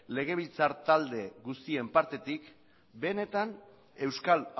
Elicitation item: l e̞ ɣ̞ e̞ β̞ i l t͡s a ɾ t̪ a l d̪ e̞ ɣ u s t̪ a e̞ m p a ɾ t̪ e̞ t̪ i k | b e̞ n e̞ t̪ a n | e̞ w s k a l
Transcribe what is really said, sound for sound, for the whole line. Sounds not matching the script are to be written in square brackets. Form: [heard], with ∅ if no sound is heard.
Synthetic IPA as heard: l e̞ ɣ̞ e̞ β̞ i l t͡s a ɾ t̪ a l d̪ e̞ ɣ u s t̪ [i] e̞ m p a ɾ t̪ e̞ t̪ i k | b e̞ n e̞ t̪ a n | e̞ w s k a l